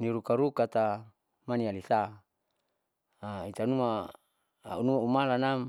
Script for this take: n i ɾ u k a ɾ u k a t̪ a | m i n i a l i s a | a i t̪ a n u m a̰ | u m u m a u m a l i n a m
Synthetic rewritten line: n i ɾ u k a ɾ u k a t̪ a | m a n i a l i s a | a i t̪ a n u m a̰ | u n u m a u m a l a n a m